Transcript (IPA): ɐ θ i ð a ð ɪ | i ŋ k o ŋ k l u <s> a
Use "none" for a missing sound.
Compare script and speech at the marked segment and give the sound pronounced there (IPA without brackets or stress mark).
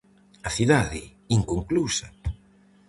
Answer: s